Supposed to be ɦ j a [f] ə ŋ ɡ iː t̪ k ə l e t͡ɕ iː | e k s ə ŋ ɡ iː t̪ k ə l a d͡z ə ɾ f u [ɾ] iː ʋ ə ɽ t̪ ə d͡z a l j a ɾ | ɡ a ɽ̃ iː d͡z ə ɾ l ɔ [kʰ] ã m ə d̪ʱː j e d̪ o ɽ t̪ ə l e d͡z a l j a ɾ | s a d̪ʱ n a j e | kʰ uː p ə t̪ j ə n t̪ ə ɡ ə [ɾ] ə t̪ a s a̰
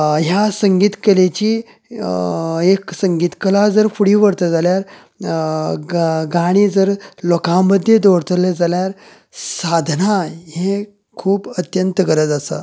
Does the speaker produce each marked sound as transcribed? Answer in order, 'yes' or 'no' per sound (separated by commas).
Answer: no, no, no, yes